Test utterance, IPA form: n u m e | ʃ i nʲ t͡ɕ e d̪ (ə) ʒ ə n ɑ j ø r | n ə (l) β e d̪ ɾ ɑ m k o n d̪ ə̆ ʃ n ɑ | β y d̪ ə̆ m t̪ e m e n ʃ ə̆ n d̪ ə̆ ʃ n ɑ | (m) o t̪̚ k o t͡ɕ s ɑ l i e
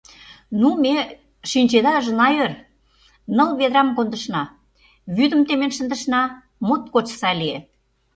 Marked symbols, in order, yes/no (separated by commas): no, yes, yes